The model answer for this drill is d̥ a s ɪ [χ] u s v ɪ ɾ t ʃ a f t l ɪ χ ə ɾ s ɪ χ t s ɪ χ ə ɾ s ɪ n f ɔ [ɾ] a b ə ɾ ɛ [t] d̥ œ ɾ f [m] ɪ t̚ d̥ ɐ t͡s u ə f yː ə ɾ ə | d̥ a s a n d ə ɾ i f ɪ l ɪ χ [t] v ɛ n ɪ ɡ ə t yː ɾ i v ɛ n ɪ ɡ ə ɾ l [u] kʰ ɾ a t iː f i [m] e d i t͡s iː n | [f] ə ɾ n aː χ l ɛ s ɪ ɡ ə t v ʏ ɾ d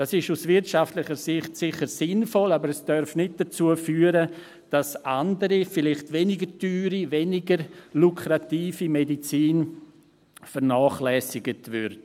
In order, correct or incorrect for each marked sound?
incorrect, incorrect, incorrect, incorrect, correct, correct, correct, correct

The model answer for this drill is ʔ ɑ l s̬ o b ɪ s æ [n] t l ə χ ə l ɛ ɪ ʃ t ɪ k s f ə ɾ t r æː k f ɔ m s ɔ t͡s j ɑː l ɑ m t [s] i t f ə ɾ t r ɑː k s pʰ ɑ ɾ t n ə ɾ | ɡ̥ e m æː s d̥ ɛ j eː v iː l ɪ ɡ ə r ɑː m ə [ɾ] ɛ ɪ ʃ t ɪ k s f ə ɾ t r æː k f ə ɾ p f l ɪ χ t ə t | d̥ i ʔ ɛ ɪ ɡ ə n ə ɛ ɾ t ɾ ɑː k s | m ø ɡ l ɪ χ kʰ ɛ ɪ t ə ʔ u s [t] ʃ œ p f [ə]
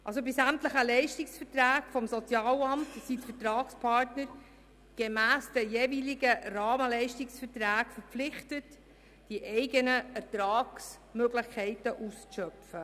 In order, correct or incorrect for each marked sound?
incorrect, correct, incorrect, incorrect, correct

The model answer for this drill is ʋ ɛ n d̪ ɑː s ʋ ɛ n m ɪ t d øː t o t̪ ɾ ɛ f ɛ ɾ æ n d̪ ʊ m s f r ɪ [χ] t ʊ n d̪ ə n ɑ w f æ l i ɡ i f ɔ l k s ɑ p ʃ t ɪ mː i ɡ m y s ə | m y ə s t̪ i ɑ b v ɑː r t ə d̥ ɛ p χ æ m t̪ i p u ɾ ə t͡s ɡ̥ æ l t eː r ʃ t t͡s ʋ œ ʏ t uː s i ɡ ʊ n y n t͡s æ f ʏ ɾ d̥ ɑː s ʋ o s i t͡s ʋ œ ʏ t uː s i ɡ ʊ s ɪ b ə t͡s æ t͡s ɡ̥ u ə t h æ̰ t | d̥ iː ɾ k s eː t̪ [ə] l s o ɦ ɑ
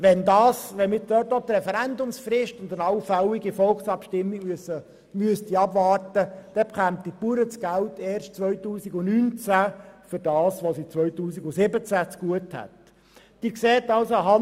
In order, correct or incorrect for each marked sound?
incorrect, incorrect

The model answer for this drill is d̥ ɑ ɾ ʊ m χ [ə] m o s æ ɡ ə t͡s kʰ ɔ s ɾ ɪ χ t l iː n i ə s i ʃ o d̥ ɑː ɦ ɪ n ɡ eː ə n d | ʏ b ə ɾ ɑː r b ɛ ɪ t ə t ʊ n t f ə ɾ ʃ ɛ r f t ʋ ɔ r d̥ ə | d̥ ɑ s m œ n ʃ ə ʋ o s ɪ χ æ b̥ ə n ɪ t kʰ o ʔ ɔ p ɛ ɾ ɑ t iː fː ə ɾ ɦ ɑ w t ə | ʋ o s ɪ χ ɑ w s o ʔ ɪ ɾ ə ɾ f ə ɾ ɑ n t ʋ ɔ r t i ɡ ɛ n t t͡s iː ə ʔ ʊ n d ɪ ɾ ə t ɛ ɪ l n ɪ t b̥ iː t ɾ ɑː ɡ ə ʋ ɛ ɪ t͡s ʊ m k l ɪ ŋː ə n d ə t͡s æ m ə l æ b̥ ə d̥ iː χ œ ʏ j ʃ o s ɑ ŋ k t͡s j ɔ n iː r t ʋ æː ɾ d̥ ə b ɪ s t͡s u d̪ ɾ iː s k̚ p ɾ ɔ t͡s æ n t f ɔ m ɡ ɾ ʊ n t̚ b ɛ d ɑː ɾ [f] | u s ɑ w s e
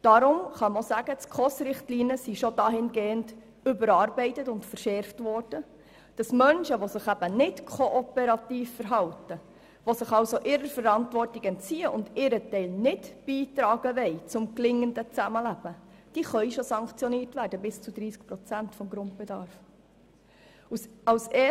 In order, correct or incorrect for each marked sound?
incorrect, correct

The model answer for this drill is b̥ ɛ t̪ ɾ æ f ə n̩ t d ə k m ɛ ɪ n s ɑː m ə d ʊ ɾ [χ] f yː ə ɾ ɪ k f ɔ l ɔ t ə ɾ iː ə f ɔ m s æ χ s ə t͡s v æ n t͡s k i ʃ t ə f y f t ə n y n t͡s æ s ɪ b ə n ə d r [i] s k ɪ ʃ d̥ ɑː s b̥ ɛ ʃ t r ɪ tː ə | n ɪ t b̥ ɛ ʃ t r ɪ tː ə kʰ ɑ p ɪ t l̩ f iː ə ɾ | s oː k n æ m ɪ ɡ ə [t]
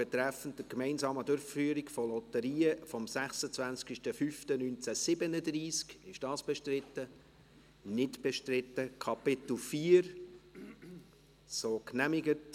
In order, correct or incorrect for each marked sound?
incorrect, incorrect, correct

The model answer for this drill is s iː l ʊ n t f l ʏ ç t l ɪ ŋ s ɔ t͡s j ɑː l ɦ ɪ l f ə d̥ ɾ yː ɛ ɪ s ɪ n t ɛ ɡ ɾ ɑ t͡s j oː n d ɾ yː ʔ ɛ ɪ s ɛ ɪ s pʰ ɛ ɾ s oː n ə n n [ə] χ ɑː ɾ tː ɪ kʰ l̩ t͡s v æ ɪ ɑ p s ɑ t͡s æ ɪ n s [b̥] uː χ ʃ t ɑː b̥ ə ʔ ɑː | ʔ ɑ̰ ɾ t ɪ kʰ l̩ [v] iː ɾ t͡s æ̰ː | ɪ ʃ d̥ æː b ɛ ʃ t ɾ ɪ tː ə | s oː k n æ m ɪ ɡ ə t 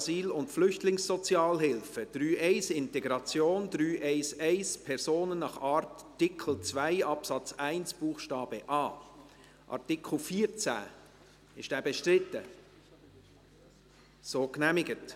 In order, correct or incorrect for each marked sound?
incorrect, correct, incorrect

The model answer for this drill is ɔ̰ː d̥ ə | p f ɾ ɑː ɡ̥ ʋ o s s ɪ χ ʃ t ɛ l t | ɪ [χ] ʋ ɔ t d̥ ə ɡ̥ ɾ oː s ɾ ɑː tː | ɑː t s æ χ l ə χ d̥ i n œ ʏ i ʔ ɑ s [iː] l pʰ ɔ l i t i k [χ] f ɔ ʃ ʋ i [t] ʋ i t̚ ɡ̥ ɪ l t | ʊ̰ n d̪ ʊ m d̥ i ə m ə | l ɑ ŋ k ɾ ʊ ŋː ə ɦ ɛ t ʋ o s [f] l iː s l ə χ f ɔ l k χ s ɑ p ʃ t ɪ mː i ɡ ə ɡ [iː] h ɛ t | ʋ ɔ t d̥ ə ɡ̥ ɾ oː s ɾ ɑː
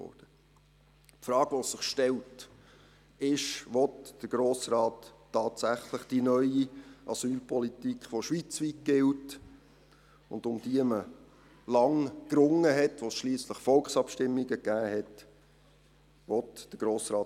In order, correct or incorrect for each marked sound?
incorrect, incorrect, correct, incorrect, incorrect, incorrect

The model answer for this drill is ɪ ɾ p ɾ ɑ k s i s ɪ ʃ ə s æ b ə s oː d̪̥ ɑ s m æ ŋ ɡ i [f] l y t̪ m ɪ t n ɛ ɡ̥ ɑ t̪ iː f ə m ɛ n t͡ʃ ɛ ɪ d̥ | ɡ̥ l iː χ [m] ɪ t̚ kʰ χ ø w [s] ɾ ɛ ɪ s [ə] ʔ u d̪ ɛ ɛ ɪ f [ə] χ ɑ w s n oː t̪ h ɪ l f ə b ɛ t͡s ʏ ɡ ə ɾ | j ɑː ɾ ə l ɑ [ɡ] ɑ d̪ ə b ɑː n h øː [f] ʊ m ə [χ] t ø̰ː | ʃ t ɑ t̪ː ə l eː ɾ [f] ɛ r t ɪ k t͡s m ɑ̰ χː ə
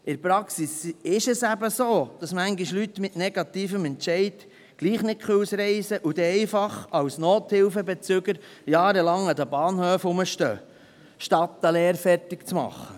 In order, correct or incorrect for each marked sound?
incorrect, incorrect, correct, correct, incorrect, incorrect, correct, incorrect, correct

